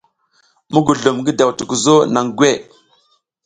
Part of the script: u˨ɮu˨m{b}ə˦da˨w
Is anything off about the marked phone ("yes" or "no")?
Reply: yes